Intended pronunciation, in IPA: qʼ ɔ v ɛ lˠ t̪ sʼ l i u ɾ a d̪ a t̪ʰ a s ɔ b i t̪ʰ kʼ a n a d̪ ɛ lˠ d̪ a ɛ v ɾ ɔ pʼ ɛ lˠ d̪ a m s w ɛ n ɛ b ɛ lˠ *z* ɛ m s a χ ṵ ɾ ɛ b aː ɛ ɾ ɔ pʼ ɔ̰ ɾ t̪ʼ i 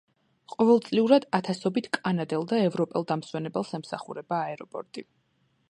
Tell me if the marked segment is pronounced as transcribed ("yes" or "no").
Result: no